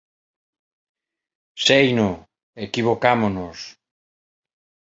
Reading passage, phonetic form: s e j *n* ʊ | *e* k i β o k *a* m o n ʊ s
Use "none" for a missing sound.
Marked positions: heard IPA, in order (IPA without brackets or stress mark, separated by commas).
n, e, a